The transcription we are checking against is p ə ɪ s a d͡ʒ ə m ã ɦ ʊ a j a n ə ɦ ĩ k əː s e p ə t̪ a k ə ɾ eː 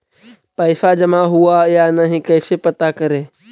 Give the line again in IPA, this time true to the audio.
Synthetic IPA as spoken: p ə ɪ s a d͡ʒ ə m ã ɦ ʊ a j a n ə ɦ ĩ k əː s e p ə t̪ a k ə ɾ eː